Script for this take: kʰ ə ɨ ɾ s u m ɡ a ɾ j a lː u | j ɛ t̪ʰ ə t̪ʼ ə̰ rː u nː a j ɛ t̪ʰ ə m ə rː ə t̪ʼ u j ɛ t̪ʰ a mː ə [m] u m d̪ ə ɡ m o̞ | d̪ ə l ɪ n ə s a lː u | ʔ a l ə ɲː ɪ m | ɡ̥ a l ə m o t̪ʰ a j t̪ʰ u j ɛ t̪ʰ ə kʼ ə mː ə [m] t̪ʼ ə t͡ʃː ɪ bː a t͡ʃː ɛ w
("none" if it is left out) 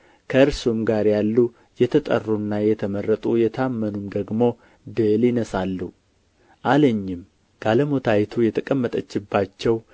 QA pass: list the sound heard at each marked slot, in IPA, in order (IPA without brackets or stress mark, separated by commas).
n, none